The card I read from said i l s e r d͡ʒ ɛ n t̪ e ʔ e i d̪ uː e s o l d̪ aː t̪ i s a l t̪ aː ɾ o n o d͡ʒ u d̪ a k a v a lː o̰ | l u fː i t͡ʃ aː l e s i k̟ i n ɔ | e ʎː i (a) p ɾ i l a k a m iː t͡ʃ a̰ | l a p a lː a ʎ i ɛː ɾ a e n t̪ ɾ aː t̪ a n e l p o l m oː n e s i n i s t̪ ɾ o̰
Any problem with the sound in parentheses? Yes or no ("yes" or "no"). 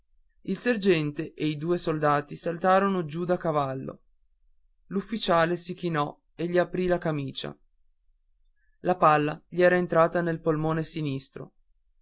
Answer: no